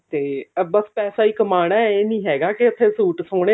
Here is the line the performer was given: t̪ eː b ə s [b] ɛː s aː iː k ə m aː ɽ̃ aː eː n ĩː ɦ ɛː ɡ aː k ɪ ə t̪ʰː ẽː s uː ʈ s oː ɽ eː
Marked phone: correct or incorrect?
incorrect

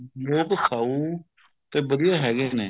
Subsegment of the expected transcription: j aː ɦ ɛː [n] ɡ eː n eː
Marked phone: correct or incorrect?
incorrect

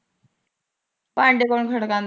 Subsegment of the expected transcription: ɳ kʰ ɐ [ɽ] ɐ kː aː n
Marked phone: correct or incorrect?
correct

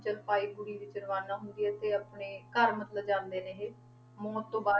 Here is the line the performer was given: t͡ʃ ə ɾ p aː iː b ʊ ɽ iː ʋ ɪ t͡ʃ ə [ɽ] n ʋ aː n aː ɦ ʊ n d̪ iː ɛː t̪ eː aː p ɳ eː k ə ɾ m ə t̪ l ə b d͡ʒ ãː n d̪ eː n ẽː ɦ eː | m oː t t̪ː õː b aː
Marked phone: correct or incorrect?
incorrect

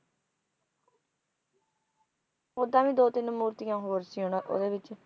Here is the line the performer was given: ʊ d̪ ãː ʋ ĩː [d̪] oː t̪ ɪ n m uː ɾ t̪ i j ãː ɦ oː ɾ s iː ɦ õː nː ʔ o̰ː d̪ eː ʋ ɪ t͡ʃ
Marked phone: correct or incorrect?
correct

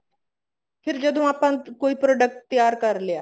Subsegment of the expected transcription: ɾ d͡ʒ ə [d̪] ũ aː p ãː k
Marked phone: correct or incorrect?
correct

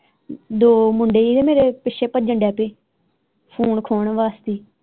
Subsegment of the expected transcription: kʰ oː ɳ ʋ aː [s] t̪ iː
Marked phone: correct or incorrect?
correct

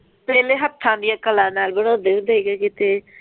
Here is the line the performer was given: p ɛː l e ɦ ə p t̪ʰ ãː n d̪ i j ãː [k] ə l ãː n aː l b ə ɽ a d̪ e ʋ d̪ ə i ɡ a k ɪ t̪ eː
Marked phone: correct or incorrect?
correct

